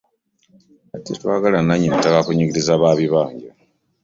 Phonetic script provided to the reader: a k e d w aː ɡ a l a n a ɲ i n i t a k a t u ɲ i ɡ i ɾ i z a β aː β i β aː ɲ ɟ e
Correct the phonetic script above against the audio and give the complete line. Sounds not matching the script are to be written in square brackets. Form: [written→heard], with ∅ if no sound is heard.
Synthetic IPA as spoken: a [k→t] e [d→t] w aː ɡ a l a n a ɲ i n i t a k a [t→k] u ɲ i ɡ i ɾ i z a β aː β i β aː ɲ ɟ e